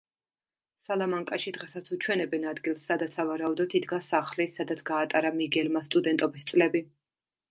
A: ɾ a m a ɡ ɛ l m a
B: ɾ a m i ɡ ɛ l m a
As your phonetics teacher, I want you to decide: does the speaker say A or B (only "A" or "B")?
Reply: B